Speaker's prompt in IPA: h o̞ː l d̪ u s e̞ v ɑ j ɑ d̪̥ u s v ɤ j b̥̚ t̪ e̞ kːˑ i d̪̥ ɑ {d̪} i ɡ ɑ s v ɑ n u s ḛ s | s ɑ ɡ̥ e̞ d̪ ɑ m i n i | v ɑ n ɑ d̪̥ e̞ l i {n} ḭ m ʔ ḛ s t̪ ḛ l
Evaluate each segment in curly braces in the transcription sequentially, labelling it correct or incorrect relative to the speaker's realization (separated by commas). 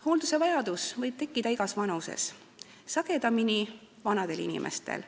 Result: incorrect, correct